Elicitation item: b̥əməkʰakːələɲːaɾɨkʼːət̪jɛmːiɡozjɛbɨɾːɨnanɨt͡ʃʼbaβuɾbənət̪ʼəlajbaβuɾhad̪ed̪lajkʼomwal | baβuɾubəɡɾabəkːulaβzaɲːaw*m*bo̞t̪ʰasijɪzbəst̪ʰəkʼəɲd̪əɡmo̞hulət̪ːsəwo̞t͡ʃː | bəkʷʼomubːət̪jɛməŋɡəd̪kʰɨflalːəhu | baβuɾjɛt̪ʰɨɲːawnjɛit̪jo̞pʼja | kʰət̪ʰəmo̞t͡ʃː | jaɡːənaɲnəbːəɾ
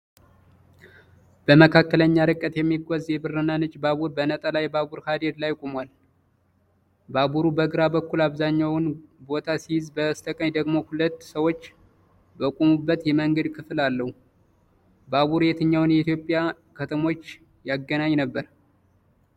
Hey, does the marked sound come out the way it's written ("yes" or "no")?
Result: no